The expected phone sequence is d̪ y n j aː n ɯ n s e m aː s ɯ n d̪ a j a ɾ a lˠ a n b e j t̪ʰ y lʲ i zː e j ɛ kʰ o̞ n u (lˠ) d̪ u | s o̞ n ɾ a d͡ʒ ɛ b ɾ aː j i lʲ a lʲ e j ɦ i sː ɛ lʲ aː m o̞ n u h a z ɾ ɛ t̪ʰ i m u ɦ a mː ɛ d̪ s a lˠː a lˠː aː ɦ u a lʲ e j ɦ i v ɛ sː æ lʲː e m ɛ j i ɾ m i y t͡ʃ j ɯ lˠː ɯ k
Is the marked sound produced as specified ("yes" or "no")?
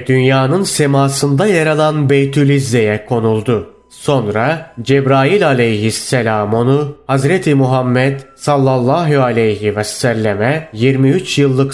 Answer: yes